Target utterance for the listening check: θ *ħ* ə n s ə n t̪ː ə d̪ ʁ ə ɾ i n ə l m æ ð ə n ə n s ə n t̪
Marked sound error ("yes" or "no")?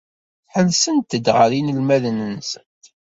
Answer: no